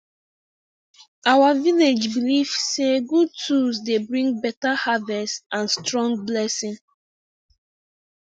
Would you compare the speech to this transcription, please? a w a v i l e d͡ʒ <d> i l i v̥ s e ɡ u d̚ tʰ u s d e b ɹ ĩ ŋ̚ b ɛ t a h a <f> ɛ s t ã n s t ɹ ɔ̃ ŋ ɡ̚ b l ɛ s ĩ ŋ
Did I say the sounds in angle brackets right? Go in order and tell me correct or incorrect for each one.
incorrect, incorrect

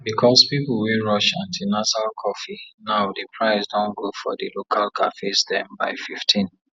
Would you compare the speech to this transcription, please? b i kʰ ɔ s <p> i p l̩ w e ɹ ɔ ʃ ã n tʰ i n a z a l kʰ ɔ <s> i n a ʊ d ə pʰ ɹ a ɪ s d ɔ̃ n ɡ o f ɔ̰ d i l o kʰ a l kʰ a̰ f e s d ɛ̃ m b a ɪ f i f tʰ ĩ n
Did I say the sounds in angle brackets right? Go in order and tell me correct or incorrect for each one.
correct, incorrect

